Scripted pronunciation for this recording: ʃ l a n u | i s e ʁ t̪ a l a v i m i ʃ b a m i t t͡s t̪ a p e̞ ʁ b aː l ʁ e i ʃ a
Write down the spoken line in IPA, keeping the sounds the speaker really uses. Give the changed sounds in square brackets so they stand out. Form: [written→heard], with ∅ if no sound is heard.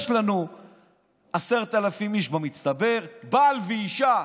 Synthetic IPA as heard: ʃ l a n u | [i→a] s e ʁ t̪ a l a [v→f] i m i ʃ b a m i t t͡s t̪ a [p→b] e̞ ʁ b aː l [ʁ→v] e i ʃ a